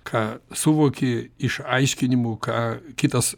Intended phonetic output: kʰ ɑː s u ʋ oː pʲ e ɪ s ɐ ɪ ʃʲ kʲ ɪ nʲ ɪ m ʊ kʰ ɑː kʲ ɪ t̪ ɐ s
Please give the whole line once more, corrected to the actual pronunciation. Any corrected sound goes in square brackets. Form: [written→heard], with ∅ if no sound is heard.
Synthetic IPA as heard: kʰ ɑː s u ʋ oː [pʲ→kʲ] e ɪ [s→ʃ] ɐ ɪ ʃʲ kʲ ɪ nʲ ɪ m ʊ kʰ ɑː kʲ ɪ t̪ ɐ s

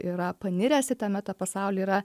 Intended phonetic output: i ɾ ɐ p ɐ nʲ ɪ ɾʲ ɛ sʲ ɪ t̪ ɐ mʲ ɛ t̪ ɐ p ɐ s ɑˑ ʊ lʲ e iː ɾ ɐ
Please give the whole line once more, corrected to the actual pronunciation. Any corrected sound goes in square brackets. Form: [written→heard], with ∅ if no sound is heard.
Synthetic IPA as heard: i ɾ ɐ p ɐ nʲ ɪ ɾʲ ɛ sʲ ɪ t̪ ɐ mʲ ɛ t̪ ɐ p ɐ s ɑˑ ʊ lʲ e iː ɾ ɐ

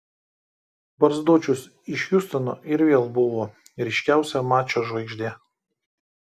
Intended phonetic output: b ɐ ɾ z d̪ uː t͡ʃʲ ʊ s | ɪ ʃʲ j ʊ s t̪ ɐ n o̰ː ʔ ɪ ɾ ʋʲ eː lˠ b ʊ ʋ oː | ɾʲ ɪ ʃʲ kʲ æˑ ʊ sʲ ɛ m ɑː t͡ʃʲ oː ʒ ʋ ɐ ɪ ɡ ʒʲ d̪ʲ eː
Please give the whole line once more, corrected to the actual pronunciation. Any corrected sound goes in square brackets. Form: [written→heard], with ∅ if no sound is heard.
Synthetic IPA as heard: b ɐ ɾ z d̪ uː t͡ʃʲ ʊ s | ɪ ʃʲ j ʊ s t̪ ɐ n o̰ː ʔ ɪ ɾ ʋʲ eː lˠ b ʊ ʋ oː | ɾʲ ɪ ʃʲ kʲ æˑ ʊ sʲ ɛ m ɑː t͡ʃʲ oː ʒ ʋ ɐ ɪ ɡ ʒʲ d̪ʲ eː

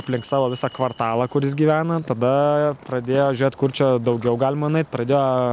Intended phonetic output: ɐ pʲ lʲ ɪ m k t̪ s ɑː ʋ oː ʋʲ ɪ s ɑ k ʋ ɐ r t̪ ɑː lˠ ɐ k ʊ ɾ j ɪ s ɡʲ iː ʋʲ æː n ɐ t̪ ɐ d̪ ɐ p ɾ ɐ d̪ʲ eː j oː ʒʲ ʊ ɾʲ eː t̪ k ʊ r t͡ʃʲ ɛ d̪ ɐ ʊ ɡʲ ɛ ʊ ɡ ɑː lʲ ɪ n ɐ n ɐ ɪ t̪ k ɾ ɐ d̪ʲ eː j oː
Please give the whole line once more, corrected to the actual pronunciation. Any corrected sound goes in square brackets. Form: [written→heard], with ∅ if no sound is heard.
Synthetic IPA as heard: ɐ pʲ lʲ ɪ [m→ŋ] k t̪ s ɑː ʋ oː ʋʲ ɪ s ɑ k ʋ ɐ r t̪ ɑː lˠ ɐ k ʊ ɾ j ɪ s ɡʲ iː ʋʲ æː n ɐ t̪ ɐ d̪ ɐ p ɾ ɐ d̪ʲ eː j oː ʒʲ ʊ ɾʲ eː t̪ k ʊ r t͡ʃʲ ɛ d̪ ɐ ʊ ɡʲ ɛ ʊ ɡ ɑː lʲ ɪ [n→m] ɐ n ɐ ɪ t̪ [k→p] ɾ ɐ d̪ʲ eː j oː

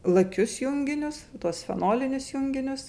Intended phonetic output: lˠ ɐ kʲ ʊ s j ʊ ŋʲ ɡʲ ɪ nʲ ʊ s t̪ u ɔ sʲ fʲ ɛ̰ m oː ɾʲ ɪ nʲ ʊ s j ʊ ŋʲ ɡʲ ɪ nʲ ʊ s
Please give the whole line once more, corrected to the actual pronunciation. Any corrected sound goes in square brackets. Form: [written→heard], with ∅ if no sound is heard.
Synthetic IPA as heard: lˠ ɐ kʲ ʊ s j ʊ ŋʲ ɡʲ ɪ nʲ ʊ s t̪ u ɔ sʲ fʲ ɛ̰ [m→n] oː [ɾʲ→lʲ] ɪ nʲ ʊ s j ʊ ŋʲ ɡʲ ɪ nʲ ʊ s

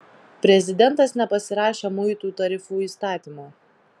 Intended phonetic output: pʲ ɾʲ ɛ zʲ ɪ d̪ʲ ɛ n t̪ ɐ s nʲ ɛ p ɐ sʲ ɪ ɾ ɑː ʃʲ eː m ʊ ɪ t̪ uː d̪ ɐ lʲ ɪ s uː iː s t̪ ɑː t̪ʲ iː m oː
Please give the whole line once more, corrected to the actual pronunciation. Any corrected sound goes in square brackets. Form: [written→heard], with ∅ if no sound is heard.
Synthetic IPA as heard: pʲ ɾʲ ɛ zʲ ɪ d̪ʲ ɛ n t̪ ɐ s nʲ ɛ p ɐ sʲ ɪ ɾ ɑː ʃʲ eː m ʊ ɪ t̪ uː [d̪→t̪] ɐ [lʲ→ɾʲ] ɪ [s→f] uː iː s t̪ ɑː t̪ʲ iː m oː

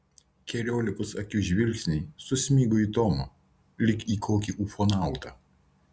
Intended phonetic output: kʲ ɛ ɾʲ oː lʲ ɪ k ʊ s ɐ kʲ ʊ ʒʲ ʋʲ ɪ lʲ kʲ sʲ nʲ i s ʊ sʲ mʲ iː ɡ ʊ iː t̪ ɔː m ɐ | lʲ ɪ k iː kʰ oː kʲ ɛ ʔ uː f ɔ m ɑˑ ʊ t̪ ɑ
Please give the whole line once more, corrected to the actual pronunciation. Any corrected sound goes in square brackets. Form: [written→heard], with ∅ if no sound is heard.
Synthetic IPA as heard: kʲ ɛ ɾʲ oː lʲ ɪ k ʊ s ɐ kʲ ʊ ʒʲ ʋʲ ɪ lʲ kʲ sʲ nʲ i s ʊ sʲ mʲ iː ɡ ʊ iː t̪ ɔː m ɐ | lʲ ɪ k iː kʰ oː kʲ [ɛ→i] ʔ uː f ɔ [m→n] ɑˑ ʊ t̪ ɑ

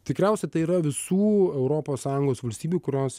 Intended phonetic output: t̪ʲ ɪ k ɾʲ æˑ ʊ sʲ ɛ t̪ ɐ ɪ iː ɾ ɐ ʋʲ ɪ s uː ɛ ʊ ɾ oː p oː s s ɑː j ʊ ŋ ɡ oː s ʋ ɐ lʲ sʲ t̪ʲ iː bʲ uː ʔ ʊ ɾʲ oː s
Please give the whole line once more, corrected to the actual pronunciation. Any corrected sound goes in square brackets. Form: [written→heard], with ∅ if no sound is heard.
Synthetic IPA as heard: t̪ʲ ɪ k ɾʲ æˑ ʊ sʲ ɛ t̪ ɐ ɪ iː ɾ ɐ ʋʲ ɪ s uː ɛ ʊ ɾ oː p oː s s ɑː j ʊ ŋ ɡ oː s ʋ ɐ lʲ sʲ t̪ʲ iː bʲ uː [ʔ→k] ʊ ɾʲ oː s

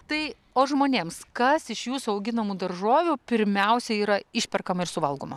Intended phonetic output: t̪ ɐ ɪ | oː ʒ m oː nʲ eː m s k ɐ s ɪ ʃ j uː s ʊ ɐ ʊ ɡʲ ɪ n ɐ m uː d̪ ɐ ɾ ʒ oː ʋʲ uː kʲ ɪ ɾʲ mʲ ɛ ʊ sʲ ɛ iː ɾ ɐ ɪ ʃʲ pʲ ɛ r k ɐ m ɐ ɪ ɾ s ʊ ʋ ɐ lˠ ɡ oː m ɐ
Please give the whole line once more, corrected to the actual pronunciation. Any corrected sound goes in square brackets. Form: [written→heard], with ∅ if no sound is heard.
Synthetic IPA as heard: t̪ ɐ ɪ | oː ʒ m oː nʲ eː m s k ɐ s ɪ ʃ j uː s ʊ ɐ ʊ ɡʲ ɪ n ɐ m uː d̪ ɐ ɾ ʒ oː ʋʲ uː [kʲ→pʲ] ɪ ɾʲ mʲ ɛ ʊ sʲ ɛ iː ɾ ɐ ɪ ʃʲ pʲ ɛ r k ɐ m ɐ ɪ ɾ s ʊ ʋ ɐ lˠ ɡ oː m ɐ

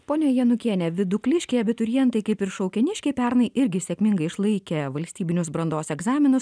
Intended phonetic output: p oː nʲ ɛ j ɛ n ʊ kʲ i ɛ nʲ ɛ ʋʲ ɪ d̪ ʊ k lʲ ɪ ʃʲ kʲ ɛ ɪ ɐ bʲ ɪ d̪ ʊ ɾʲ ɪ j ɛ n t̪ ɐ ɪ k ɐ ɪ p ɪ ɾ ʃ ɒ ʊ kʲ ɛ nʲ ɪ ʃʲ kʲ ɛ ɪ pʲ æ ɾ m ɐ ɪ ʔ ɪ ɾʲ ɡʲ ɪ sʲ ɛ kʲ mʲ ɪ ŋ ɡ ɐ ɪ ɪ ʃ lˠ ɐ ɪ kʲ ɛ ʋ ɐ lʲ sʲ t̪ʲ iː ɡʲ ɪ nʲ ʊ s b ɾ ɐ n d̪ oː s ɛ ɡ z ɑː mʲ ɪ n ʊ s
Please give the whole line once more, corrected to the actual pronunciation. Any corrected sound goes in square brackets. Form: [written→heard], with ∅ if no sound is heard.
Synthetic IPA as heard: p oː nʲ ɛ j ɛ n ʊ kʲ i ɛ nʲ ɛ ʋʲ ɪ d̪ ʊ k lʲ ɪ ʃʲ kʲ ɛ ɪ ɐ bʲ ɪ [d̪→t̪] ʊ ɾʲ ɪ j ɛ n t̪ ɐ ɪ k ɐ ɪ p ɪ ɾ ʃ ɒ ʊ kʲ ɛ nʲ ɪ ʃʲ kʲ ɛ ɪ pʲ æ ɾ [m→n] ɐ ɪ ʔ ɪ ɾʲ ɡʲ ɪ sʲ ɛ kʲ mʲ ɪ ŋ ɡ ɐ ɪ ɪ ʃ lˠ ɐ ɪ kʲ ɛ ʋ ɐ lʲ sʲ t̪ʲ iː [ɡʲ→bʲ] ɪ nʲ ʊ s b ɾ ɐ n d̪ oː s ɛ ɡ z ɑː mʲ ɪ n ʊ s

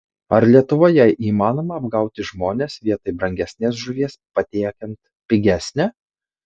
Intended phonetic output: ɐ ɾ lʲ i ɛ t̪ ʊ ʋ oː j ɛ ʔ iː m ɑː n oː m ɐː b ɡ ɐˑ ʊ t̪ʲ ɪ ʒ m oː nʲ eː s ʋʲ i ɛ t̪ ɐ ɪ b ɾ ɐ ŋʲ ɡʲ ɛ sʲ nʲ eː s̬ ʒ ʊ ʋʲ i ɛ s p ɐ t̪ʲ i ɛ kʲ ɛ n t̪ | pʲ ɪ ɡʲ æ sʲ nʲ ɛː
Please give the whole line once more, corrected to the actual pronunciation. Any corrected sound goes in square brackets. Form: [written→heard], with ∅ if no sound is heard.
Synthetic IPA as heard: ɐ ɾ lʲ i ɛ t̪ ʊ ʋ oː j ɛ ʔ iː m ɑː n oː m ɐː b ɡ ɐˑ ʊ t̪ʲ ɪ ʒ m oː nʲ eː s ʋʲ i ɛ t̪ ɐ ɪ b ɾ ɐ ŋʲ ɡʲ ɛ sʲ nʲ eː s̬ ʒ ʊ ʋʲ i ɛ s p ɐ t̪ʲ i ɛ kʲ ɛ n t̪ | pʲ ɪ ɡʲ æ sʲ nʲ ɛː

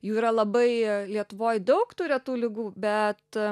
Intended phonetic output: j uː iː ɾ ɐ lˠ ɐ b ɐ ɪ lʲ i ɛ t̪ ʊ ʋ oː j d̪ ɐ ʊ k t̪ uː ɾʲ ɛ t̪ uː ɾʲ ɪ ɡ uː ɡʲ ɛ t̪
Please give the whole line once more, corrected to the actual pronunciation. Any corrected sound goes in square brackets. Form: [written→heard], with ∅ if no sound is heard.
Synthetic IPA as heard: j uː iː ɾ ɐ lˠ ɐ b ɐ ɪ lʲ i ɛ t̪ ʊ ʋ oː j d̪ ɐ ʊ k t̪ uː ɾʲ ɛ t̪ uː [ɾʲ→lʲ] ɪ ɡ uː [ɡʲ→bʲ] ɛ t̪

